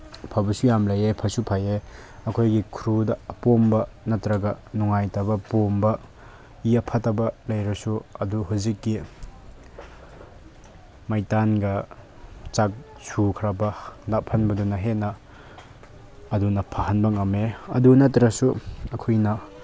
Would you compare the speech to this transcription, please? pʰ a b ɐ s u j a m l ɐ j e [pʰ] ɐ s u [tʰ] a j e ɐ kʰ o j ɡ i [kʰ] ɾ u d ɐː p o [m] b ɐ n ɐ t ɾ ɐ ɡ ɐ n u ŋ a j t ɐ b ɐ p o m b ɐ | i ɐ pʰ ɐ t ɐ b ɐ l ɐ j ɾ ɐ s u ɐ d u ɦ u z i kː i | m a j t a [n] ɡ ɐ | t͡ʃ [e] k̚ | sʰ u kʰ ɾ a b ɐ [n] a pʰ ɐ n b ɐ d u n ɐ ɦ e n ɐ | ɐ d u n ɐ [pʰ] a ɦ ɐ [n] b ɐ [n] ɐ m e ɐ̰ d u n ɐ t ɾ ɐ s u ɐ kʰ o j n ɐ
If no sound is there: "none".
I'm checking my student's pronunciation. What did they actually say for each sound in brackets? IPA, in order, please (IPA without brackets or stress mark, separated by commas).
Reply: pʰ, pʰ, kʰ, m, n, a, n, pʰ, n, ŋ